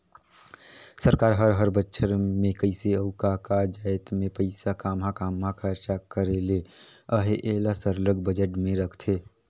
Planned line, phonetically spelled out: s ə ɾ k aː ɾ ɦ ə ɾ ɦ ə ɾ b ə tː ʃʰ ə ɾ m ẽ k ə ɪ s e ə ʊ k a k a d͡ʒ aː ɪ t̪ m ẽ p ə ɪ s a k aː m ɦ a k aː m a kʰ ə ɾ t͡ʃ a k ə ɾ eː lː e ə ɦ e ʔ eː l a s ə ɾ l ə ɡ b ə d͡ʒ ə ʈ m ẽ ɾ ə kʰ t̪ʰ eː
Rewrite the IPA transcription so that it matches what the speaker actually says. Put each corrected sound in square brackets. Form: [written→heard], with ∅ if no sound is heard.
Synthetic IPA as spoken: s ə ɾ k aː ɾ ɦ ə ɾ ɦ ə ɾ b ə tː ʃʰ ə ɾ m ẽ k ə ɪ s e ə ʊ k a k a d͡ʒ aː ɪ t̪ m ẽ p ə ɪ s a k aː m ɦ a k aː m a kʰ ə ɾ t͡ʃ a k ə ɾ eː [lː→l] e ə ɦ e ʔ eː l a s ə ɾ l ə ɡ b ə d͡ʒ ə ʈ m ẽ ɾ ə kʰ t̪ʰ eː